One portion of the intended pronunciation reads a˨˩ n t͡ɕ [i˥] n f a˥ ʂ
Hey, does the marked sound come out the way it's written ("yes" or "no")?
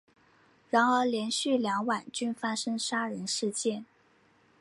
no